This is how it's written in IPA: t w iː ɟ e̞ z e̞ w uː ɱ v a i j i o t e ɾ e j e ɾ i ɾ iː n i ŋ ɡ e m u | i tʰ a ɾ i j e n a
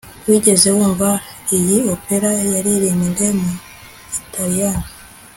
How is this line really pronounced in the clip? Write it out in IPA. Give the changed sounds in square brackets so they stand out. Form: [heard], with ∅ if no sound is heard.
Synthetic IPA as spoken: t w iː ɟ e̞ z e̞ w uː ɱ v a i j i o [p] e ɾ [a] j [a] ɾ i ɾ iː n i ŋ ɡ e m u | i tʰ a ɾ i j [a] n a